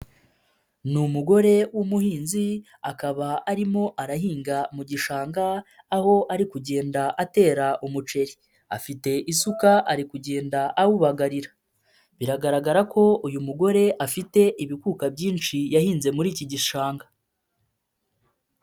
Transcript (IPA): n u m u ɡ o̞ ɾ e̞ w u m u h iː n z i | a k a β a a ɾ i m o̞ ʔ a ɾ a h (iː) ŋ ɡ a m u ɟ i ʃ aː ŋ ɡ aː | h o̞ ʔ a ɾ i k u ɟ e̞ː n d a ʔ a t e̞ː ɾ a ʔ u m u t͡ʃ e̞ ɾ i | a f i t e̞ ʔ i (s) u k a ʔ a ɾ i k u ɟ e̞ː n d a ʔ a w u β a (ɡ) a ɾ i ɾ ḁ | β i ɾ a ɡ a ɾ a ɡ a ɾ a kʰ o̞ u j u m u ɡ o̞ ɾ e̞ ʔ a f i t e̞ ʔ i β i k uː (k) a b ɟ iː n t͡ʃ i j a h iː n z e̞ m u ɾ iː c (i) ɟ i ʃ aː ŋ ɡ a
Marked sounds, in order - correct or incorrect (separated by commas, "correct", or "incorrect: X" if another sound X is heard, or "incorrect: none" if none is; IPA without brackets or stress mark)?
correct, correct, correct, correct, correct